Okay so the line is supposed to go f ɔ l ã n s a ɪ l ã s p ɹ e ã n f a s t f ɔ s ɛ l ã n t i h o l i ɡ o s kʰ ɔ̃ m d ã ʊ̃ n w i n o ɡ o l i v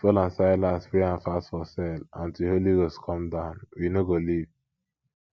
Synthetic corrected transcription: f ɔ l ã n s a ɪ l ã s p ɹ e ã n f a s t f ɔ s ɛ l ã n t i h o l i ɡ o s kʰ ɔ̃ m d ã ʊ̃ n w i n o ɡ o l i v